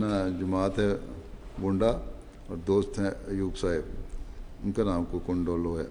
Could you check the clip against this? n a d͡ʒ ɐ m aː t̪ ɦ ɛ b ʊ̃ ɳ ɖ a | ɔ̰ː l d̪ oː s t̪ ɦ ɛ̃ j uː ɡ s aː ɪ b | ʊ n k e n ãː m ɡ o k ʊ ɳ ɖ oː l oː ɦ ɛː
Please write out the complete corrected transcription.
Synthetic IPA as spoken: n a d͡ʒ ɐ m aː t̪ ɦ ɛ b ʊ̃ ɳ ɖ a | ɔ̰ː ɾ d̪ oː s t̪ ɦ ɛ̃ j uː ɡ s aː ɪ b | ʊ n k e n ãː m k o k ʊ ɳ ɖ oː l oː ɦ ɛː